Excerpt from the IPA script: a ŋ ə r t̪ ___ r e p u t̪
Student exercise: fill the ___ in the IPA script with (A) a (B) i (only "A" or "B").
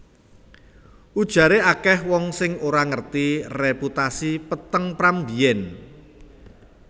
B